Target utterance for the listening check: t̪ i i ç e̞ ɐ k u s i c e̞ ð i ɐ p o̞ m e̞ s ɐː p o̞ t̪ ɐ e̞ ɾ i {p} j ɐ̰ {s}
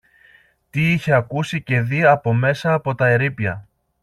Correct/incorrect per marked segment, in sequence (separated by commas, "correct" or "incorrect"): correct, incorrect